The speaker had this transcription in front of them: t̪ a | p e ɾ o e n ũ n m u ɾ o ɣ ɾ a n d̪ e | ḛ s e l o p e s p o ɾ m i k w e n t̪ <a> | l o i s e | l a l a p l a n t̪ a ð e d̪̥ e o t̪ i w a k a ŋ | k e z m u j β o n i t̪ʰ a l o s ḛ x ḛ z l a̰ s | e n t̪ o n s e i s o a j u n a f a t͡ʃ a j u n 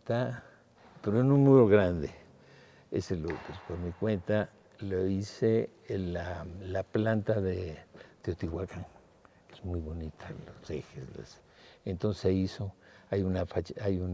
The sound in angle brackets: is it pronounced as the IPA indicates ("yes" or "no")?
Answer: yes